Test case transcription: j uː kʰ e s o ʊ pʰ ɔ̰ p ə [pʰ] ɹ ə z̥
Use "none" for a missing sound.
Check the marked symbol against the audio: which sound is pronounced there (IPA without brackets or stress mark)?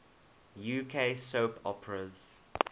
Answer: none